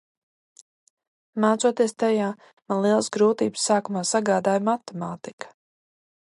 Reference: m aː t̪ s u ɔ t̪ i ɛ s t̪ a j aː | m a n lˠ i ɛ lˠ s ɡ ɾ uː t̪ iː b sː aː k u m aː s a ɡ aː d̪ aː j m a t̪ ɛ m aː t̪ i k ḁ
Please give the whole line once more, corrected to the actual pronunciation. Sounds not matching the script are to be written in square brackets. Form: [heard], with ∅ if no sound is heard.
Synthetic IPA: m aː t̪ s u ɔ t̪ i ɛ s t̪ a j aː | m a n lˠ i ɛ lˠ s ɡ ɾ uː t̪ iː b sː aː k u m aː s a ɡ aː d̪ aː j m a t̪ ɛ m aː t̪ i k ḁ